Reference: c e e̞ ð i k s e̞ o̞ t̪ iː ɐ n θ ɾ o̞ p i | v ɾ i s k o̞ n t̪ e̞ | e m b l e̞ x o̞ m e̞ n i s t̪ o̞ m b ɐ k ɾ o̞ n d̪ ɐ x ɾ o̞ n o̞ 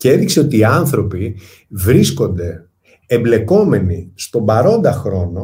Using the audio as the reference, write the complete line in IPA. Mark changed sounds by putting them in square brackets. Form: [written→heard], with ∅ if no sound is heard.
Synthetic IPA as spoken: c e e̞ ð i k s e̞ o̞ t̪ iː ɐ n θ ɾ o̞ p i | v ɾ i s k o̞ n [t̪→d̪] e̞ | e m b l e̞ [x→k] o̞ m e̞ n i s t̪ o̞ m b ɐ [k→∅] ɾ o̞ n d̪ ɐ x ɾ o̞ n o̞